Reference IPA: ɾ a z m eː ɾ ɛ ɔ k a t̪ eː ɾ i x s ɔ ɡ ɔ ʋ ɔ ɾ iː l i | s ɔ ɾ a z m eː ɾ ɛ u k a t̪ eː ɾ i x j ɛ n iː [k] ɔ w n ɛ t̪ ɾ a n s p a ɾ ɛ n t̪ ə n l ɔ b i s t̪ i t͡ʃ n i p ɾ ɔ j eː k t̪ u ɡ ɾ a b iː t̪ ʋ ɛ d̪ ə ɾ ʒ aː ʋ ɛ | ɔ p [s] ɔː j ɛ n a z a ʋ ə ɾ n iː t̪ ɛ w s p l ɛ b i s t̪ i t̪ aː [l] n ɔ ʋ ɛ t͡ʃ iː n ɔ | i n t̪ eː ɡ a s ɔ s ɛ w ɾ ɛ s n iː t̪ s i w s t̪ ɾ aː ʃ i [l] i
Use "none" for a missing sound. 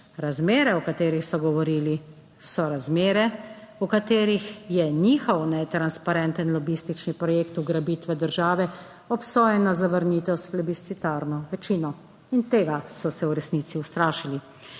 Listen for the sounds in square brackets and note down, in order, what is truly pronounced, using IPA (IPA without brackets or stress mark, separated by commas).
x, s, ɾ, l